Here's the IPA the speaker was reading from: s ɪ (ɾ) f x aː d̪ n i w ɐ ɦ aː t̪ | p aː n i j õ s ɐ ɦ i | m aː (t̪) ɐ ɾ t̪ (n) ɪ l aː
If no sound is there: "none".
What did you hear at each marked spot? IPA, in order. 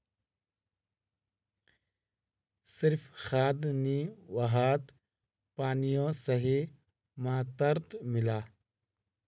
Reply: ɾ, t̪, m

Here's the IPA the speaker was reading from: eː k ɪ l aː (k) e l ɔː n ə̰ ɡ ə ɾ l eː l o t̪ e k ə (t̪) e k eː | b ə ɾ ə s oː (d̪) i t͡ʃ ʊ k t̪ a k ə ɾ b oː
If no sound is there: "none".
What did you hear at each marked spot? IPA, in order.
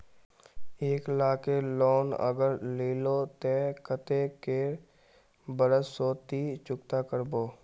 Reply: k, t̪, t̪

